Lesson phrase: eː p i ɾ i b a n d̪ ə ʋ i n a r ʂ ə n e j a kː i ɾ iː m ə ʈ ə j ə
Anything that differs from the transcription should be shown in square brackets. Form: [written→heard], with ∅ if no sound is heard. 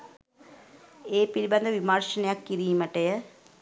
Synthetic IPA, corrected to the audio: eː p i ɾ i b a n d̪ ə ʋ i [n→m] a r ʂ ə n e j a kː i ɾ iː m ə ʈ ə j ə